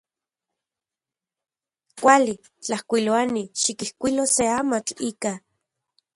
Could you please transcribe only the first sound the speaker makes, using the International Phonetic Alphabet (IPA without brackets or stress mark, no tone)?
kʷ